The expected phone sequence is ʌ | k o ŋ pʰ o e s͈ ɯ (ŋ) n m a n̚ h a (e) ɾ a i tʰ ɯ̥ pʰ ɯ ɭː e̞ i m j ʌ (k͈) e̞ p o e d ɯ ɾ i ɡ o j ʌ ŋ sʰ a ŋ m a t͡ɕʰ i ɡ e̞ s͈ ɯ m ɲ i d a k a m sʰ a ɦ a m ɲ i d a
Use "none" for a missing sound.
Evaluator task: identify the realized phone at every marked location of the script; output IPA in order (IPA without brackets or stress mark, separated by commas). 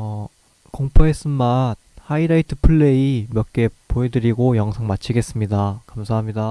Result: none, i, k͈